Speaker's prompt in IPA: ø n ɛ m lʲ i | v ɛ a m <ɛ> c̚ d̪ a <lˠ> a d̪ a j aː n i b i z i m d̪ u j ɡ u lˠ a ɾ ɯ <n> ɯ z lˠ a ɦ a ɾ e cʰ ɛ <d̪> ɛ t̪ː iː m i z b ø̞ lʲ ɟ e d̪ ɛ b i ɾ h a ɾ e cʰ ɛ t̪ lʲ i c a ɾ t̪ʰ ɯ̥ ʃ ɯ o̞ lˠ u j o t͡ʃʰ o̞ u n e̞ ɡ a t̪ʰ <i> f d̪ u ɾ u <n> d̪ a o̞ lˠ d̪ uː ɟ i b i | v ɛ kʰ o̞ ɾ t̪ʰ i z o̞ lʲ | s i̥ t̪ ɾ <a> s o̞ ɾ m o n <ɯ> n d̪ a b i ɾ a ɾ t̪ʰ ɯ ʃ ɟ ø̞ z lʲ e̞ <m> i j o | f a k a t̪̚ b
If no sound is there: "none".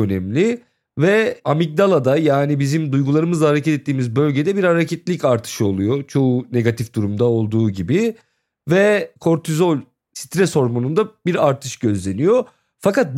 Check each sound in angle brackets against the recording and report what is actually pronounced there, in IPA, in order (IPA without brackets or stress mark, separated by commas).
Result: i, lˠ, m, t̪, i, m, ɛ, u, n